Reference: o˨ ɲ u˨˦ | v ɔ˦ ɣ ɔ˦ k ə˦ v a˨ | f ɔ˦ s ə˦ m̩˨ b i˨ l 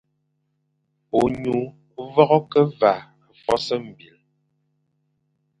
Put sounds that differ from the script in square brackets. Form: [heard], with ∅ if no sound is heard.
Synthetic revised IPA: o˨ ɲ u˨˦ | v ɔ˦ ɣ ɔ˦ k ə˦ v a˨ | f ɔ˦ s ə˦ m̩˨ b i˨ l